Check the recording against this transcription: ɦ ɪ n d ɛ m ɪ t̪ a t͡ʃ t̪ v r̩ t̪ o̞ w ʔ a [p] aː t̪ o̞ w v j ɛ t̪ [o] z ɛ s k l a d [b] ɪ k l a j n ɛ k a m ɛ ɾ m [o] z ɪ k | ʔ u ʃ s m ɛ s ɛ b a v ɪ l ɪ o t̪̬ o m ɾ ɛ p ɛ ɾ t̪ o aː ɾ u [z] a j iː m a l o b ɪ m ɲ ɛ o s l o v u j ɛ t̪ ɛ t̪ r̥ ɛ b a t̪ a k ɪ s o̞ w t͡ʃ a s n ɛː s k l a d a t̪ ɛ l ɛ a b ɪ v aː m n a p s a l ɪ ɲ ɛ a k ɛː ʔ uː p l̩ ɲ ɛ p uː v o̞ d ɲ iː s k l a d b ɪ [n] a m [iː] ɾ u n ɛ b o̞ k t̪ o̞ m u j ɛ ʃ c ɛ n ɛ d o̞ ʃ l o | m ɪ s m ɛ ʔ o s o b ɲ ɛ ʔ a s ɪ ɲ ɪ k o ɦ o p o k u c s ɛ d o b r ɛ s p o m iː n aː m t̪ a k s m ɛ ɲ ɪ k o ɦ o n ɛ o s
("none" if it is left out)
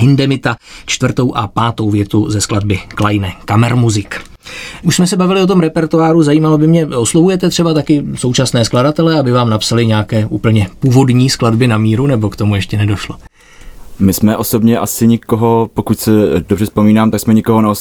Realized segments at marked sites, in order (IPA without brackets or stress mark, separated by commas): p, u, b, u, z, n, iː